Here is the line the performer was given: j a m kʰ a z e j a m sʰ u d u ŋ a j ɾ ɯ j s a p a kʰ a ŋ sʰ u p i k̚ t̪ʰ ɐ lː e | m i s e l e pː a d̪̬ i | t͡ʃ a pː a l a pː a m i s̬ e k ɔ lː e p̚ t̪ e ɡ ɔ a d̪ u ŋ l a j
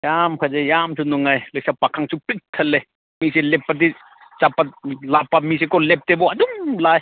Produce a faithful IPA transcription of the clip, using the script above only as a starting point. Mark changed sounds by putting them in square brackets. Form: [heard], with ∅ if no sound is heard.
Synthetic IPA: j a m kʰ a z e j a m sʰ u [n] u ŋ a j [l] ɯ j s a p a kʰ a ŋ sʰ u p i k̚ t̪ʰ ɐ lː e | m i s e l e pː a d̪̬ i | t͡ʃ a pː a l a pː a m i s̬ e k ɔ [l] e p̚ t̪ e [b] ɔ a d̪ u [m] l a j